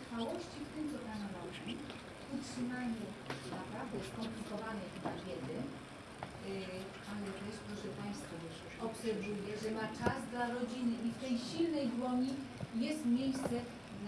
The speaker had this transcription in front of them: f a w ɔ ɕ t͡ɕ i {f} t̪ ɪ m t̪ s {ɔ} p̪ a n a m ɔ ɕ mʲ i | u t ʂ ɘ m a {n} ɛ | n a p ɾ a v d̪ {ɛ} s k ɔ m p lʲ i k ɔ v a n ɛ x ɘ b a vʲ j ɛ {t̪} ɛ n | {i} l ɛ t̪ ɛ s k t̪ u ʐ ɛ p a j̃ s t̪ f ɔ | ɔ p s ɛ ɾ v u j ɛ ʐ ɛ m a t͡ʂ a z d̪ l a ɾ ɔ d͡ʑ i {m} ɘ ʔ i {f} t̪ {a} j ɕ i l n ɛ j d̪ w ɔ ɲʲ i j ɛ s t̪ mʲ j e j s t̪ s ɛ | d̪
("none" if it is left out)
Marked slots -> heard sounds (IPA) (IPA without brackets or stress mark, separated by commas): f, ɔ, ɲ, ɛ, d̪, a, n, f, ɛ